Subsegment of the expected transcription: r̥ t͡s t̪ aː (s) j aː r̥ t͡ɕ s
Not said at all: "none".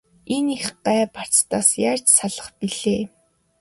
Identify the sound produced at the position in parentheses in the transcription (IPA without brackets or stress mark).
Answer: s